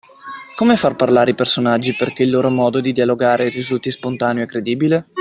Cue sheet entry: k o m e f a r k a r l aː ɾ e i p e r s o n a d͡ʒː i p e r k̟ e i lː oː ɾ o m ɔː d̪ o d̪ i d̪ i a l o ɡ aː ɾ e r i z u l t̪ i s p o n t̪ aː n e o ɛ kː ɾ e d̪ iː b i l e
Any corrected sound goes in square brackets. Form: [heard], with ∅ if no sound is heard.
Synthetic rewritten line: k o m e f a r [p] a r l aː ɾ e i p e r s o n a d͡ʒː i p e r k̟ e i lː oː ɾ o m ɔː d̪ o d̪ i d̪ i a l o ɡ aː ɾ e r i z u l t̪ i s p o n t̪ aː n e o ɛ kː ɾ e d̪ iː b i l e